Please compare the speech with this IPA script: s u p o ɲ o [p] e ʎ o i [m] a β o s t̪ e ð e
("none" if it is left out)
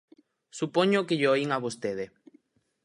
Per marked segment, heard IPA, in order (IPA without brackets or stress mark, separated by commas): k, ŋ